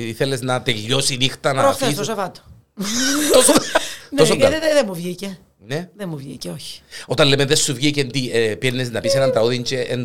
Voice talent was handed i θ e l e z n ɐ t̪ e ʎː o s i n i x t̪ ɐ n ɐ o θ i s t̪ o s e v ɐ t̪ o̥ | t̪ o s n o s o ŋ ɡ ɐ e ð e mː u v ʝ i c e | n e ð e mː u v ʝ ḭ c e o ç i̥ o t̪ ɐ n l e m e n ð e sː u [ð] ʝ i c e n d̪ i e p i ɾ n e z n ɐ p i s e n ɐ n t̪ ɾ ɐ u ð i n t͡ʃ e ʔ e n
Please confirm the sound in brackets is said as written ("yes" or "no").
no